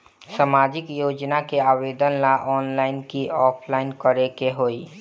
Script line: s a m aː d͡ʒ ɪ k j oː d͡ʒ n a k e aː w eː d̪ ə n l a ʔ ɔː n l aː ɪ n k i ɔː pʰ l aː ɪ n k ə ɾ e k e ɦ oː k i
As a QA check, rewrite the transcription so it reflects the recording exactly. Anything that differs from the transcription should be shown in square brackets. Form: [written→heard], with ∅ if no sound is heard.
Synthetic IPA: s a m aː d͡ʒ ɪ k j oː d͡ʒ n a k e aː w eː d̪ ə n l a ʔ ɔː n l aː ɪ n k i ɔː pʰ l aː ɪ n k ə ɾ e k e ɦ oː [k→∅] i